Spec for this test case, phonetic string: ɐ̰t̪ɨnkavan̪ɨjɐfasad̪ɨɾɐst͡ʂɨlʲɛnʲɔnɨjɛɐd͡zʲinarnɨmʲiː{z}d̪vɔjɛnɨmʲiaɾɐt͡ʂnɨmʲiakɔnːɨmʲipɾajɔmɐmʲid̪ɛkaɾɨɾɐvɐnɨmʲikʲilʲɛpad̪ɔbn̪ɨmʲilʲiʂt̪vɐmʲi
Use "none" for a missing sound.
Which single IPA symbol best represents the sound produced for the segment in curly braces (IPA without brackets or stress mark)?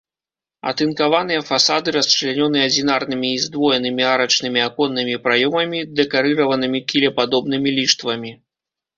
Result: z